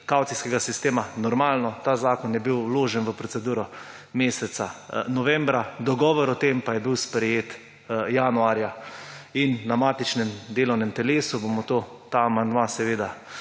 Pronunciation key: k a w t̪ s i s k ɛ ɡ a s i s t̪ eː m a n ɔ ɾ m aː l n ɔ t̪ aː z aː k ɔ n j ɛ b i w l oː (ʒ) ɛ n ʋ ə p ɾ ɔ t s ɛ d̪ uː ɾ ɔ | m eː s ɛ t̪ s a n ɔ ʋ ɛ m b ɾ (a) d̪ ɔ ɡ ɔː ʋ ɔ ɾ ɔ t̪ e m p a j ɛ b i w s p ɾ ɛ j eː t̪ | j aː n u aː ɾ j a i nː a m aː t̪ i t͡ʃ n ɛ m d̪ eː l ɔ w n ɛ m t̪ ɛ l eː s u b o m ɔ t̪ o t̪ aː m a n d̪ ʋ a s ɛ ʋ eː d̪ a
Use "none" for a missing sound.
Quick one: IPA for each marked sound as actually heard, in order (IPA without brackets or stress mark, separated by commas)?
ʒ, a